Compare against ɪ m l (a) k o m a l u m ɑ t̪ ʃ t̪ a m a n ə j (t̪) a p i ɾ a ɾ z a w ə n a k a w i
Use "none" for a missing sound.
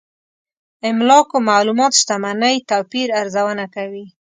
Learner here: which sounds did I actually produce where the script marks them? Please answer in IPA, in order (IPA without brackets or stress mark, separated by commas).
ɑ, t̪